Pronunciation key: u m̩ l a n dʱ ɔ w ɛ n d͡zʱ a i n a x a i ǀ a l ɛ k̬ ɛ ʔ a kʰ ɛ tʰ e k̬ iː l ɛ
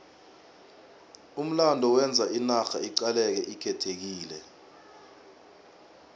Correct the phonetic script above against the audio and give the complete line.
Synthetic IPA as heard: u m̩ l a n dʱ ɔ w ɛ n d͡zʱ a i n a x a i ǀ a l ɛ k̬ ɛ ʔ i kʰ ɛ tʰ e k̬ iː l ɛ